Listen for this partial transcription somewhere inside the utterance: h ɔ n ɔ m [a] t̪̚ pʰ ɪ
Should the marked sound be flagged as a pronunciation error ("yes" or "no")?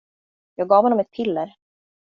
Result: yes